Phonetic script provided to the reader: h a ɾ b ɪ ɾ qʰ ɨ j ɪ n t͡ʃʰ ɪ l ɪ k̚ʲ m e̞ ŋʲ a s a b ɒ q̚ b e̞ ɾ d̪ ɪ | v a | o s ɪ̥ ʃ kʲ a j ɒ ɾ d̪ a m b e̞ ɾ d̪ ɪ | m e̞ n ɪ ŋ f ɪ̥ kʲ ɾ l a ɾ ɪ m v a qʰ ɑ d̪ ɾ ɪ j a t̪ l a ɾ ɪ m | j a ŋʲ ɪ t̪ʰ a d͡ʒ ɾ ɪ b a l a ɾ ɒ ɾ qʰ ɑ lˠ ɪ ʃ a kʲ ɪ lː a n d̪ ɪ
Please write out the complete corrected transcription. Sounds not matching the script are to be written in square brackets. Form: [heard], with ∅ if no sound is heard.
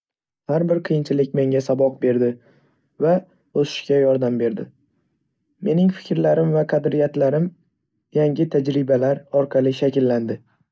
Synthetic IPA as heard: h a ɾ b ɪ ɾ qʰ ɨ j ɪ n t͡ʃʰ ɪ l ɪ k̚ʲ m e̞ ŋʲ a s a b ɒ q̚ b e̞ ɾ d̪ ɪ | v a | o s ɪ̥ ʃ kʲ a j ɒ ɾ d̪ a m b e̞ ɾ d̪ ɪ | m e̞ n ɪ ŋ f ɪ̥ kʲ ɾ l a ɾ ɪ m v a qʰ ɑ d̪ ɾ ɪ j a t̪ l a ɾ ɪ m | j a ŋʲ ɪ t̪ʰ a d͡ʒ ɾ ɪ b a l a ɾ ɒ ɾ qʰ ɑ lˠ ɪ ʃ a kʲ ɪ lː a n d̪ ɪ

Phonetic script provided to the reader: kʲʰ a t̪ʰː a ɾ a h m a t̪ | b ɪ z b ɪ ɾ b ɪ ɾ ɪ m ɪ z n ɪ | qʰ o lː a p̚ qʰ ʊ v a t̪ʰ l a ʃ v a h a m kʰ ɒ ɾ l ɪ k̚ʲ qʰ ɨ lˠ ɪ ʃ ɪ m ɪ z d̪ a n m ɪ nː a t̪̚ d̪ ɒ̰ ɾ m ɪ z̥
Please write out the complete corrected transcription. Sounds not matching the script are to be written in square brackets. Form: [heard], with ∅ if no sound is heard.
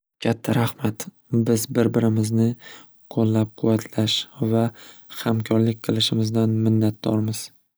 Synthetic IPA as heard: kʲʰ a t̪ʰː a ɾ a h m a t̪ | b ɪ z b ɪ ɾ b ɪ ɾ ɪ m ɪ z n ɪ | qʰ o lː a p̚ qʰ ʊ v a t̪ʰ l a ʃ v a h a m kʰ ɒ ɾ l ɪ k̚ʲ qʰ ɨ lˠ ɪ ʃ ɪ m ɪ z d̪ a n m ɪ nː a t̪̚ d̪ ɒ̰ ɾ m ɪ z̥

